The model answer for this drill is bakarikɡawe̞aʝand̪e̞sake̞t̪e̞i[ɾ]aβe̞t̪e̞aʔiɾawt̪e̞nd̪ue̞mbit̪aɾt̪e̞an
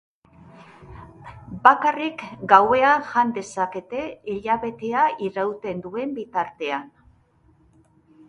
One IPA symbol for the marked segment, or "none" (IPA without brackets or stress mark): ʎ